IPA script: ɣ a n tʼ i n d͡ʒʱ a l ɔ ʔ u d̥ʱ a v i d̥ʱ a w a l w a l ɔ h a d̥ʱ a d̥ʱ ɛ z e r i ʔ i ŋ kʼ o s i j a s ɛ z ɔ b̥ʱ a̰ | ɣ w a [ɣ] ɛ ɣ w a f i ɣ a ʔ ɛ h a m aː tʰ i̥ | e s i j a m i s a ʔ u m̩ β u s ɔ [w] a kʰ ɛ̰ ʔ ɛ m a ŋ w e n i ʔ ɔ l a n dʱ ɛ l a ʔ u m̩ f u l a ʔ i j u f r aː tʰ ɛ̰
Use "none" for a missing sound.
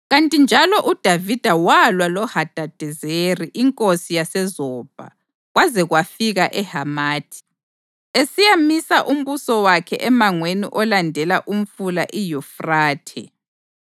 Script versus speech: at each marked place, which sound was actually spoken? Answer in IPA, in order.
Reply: z, w

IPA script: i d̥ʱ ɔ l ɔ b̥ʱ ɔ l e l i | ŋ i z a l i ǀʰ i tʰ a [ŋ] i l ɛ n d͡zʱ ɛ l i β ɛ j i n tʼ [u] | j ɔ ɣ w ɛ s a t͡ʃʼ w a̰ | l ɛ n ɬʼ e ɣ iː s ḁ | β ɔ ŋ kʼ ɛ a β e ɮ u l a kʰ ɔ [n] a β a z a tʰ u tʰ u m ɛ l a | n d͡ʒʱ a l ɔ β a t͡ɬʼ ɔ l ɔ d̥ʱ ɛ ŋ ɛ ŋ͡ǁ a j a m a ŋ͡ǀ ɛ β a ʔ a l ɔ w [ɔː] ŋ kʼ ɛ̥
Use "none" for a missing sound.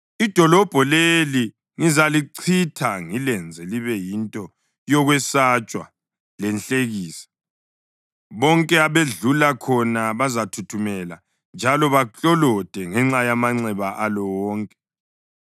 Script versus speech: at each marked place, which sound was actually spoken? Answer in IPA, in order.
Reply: ŋ, ɔ, n, ɔː

